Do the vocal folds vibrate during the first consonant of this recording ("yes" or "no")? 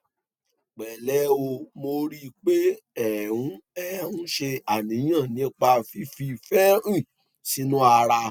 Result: no